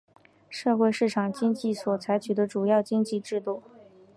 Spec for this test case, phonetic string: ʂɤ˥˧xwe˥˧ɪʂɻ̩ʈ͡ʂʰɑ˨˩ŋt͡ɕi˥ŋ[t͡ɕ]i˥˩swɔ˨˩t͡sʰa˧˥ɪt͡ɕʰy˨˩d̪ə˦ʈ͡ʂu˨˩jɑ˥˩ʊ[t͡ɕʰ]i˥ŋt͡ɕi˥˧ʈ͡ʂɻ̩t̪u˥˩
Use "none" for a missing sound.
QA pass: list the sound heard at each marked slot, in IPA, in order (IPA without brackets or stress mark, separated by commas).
t͡ɕ, t͡ɕ